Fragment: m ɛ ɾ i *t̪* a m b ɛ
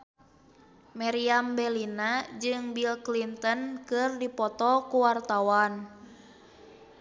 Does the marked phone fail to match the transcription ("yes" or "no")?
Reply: yes